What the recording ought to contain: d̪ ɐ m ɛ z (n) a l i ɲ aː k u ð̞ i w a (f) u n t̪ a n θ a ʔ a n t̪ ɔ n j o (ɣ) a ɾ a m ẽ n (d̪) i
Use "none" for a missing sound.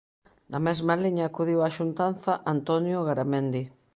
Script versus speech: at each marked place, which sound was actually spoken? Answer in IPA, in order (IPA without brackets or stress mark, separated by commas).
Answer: m, ʃ, ɣ, d̪